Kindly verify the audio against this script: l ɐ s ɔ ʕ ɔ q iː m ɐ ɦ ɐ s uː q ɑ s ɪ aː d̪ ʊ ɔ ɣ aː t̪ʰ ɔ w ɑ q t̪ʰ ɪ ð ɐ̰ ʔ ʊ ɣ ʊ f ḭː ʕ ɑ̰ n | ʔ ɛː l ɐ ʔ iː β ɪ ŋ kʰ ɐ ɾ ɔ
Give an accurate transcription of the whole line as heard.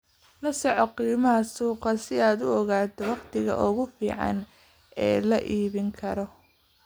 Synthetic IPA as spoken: l ɐ s ɔ ʕ ɔ q iː m ɐ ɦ ɐ s uː q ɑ s ɪ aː d̪ ʊ ɔ ɣ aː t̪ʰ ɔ w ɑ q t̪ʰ ɪ ɣ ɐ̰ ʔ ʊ ɣ ʊ f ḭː ʕ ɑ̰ n | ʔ ɛː l ɐ ʔ iː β ɪ ŋ kʰ ɐ ɾ ɔ